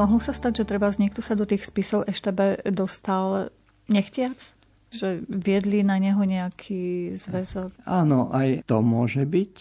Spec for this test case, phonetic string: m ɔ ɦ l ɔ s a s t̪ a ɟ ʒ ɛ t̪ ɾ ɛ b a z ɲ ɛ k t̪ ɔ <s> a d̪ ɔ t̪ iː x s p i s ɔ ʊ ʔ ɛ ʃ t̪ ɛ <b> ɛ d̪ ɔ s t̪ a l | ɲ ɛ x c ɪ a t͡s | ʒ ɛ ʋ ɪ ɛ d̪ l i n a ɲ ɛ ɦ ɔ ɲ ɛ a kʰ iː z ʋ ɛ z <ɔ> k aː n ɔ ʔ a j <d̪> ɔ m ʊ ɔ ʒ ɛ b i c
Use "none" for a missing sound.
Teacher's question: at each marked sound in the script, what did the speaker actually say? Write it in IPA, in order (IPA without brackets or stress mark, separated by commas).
s, b, ɔ, t̪